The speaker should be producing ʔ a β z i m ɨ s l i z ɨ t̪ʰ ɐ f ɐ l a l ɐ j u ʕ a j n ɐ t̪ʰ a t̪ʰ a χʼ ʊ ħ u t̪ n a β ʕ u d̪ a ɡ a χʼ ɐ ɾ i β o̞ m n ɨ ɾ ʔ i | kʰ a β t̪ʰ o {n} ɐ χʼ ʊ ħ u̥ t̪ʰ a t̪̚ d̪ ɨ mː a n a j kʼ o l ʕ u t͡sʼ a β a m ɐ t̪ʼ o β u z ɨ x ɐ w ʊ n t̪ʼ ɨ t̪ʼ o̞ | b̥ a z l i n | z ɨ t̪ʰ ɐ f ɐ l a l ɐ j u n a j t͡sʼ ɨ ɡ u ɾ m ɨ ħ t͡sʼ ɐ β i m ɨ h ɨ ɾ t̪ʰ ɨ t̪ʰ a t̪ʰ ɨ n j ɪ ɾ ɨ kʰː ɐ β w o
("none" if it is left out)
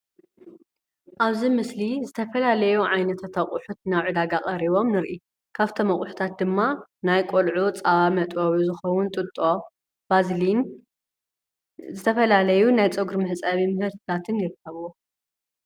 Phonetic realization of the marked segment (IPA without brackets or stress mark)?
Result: m